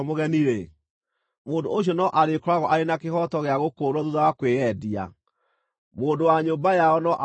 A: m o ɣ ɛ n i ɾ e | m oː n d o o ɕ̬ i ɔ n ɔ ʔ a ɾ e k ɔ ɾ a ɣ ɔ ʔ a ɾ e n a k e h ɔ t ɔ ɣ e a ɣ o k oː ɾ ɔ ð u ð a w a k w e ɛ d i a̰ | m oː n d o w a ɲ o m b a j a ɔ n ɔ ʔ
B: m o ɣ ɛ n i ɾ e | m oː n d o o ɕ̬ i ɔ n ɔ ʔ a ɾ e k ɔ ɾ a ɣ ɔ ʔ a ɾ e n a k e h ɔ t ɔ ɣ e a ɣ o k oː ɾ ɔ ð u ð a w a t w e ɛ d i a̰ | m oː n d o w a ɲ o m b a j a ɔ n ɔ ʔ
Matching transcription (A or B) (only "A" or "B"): A